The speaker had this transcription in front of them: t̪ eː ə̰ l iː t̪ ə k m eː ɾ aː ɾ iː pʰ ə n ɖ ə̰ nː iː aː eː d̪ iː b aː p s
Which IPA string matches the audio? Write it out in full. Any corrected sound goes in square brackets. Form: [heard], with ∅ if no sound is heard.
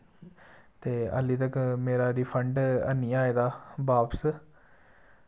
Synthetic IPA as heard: t̪ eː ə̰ l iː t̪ ə k m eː ɾ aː ɾ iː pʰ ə [ɳ] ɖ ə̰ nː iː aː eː d̪ [aː] b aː p s